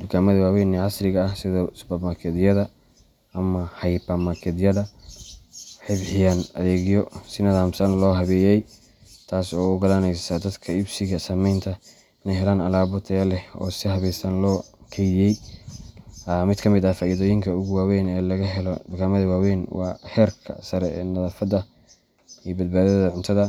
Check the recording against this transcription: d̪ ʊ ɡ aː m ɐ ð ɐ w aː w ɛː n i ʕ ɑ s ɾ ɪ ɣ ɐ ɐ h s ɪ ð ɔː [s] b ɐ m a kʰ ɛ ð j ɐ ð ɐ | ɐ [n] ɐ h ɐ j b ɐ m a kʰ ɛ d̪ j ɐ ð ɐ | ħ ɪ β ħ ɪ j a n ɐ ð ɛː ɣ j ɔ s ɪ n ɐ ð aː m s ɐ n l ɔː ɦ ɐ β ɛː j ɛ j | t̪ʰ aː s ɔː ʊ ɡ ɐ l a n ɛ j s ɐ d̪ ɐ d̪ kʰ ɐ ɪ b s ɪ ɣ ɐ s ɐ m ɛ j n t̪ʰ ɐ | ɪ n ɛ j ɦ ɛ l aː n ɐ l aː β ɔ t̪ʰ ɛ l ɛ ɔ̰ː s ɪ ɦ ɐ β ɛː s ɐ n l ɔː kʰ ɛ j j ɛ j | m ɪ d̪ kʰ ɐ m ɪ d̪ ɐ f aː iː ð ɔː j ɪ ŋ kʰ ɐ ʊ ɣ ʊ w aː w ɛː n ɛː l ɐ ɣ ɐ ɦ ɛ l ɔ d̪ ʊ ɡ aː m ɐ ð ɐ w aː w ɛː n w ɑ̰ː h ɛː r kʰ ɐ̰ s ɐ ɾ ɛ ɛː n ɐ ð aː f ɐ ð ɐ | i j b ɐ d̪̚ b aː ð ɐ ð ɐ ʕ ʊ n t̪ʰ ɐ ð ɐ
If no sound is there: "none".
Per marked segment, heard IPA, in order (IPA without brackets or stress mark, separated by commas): s, m